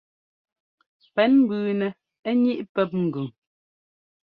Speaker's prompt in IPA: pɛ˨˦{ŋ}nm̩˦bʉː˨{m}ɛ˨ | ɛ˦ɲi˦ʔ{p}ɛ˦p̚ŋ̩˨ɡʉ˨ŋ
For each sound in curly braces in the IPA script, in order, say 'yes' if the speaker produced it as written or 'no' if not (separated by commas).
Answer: no, no, yes